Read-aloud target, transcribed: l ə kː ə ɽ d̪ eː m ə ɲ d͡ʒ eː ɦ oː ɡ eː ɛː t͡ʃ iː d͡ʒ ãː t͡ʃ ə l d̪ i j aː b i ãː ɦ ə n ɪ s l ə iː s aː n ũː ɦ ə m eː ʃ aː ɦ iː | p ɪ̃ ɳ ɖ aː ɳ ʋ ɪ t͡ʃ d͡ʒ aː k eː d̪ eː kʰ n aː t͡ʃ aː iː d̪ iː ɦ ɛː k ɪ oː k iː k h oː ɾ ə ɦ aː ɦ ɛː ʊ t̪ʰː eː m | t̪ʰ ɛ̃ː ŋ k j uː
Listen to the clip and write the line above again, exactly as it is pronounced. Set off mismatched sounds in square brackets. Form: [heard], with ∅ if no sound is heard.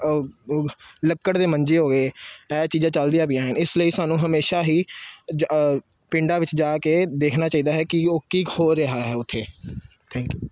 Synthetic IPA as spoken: l ə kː ə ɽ d̪ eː m ə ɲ d͡ʒ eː ɦ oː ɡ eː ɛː t͡ʃ iː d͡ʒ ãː t͡ʃ ə l d̪ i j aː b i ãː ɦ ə n ɪ s l ə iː s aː n ũː ɦ ə m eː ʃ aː ɦ iː | p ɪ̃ ɳ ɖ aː [∅] ʋ ɪ t͡ʃ d͡ʒ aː k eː d̪ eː kʰ n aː t͡ʃ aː iː d̪ [aː] ɦ ɛː k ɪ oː k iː k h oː ɾ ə ɦ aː ɦ ɛː ʊ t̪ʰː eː [∅] | t̪ʰ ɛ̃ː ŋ k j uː